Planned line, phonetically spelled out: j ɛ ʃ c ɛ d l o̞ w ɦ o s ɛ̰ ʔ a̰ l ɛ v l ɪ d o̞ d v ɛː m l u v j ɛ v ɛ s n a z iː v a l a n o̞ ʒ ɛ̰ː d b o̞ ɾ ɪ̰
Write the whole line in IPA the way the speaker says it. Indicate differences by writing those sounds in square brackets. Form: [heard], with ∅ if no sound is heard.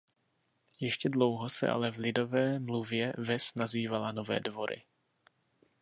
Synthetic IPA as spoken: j ɛ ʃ c ɛ d l o̞ w ɦ o s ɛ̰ ʔ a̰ l ɛ v l ɪ d o̞ [∅] v ɛː m l u v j ɛ v ɛ s n a z iː v a l a n o̞ [v] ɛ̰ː d [v] o̞ ɾ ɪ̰